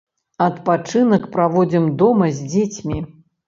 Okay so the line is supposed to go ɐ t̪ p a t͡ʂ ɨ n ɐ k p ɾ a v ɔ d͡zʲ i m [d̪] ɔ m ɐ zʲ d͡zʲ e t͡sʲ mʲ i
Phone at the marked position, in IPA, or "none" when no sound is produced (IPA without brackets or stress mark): d̪